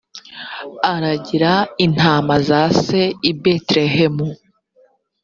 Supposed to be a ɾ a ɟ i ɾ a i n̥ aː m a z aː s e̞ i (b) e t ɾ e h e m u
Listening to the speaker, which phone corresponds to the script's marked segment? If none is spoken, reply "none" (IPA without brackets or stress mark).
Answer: b